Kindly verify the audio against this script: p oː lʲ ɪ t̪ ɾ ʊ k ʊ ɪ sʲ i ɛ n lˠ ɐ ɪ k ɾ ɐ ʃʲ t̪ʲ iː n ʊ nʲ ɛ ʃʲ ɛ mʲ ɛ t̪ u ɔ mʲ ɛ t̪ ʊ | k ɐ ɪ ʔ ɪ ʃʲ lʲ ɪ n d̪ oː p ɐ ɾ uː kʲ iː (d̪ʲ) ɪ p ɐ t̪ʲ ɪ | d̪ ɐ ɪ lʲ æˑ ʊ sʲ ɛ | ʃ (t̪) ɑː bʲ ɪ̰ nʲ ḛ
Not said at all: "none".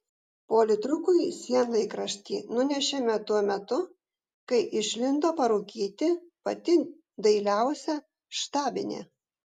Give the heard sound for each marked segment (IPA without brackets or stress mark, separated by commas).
t̪ʲ, t̪